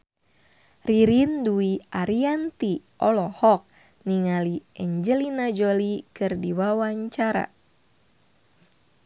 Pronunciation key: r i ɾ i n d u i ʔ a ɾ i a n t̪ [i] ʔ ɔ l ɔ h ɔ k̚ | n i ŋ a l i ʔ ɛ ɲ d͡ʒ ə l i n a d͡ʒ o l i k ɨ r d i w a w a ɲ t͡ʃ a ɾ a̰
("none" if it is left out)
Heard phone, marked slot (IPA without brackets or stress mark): i